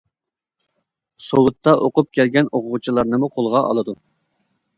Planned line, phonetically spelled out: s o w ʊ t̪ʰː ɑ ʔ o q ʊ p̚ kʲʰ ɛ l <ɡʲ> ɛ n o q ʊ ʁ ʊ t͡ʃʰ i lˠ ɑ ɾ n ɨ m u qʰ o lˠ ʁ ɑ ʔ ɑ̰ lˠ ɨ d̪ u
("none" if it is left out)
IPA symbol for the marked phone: ɡʲ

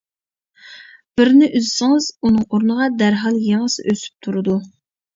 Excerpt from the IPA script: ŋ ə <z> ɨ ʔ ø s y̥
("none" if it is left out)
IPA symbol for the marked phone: s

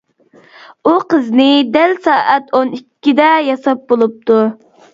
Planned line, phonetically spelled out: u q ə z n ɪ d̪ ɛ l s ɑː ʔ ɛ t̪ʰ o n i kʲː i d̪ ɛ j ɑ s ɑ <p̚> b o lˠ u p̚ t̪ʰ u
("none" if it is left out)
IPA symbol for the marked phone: p̚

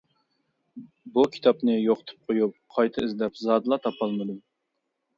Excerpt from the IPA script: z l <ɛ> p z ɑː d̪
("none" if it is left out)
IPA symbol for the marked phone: ɛ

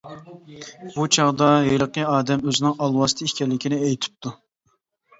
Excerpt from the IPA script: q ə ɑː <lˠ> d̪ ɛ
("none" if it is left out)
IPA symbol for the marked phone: none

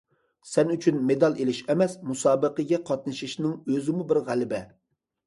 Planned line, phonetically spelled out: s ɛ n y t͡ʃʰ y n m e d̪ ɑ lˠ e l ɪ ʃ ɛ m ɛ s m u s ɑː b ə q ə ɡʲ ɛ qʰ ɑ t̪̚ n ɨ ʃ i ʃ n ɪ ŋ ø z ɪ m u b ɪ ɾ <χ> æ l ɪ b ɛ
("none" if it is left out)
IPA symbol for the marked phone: ʁ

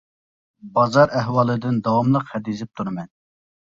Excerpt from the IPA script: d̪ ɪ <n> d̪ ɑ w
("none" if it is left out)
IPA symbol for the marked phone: n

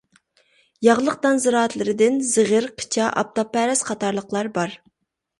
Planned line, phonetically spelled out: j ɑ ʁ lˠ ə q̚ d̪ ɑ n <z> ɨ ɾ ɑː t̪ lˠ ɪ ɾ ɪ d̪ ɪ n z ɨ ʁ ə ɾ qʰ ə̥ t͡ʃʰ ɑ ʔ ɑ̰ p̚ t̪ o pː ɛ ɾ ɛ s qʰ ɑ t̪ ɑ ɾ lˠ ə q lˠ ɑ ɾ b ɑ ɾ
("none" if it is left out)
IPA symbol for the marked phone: z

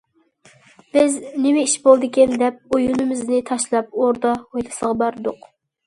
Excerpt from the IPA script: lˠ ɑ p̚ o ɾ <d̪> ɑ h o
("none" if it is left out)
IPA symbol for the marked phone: d̪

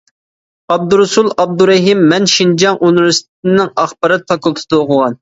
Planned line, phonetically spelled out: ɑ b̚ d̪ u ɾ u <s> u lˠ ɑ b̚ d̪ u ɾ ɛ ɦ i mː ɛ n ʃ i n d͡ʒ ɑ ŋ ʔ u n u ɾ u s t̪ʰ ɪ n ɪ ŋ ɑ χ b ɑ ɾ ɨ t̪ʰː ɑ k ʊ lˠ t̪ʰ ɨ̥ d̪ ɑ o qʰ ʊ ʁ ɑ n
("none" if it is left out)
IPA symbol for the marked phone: s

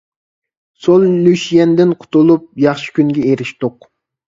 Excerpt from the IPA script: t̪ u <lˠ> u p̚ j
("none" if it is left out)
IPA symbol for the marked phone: lˠ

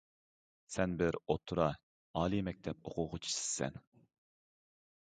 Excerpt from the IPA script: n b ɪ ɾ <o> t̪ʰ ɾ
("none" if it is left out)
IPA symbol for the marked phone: o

